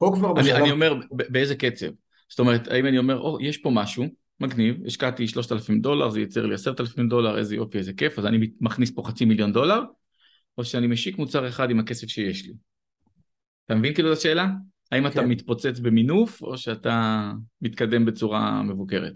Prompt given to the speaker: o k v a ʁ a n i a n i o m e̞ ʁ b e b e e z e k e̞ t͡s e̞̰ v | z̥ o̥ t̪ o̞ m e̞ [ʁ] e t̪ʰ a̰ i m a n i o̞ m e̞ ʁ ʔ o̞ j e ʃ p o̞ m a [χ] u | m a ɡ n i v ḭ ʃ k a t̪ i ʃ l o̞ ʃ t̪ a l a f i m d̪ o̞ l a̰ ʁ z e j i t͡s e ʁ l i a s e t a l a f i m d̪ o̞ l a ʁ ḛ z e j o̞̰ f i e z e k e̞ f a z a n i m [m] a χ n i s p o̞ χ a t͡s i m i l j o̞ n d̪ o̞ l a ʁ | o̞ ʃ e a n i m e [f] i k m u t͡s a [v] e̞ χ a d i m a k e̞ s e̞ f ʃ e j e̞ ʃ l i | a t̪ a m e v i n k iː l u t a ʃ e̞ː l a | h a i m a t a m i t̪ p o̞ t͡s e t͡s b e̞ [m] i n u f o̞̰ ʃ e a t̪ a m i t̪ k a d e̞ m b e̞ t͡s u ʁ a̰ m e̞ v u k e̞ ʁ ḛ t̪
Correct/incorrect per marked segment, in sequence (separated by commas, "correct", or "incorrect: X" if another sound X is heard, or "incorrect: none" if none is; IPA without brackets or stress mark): correct, incorrect: ʃ, correct, incorrect: ʃ, incorrect: ʁ, correct